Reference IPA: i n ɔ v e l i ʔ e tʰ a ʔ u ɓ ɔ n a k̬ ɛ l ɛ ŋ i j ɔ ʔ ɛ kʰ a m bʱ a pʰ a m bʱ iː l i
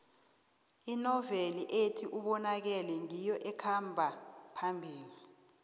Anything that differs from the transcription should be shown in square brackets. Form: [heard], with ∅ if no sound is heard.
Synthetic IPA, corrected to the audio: i n ɔ v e l i ʔ e tʰ [i] ʔ u ɓ ɔ n a k̬ ɛ l ɛ ŋ i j ɔ ʔ ɛ kʰ a m bʱ a pʰ a m bʱ iː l i